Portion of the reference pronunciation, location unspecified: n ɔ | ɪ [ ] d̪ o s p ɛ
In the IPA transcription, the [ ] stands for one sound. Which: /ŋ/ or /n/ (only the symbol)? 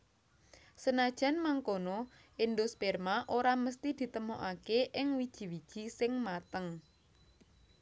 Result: n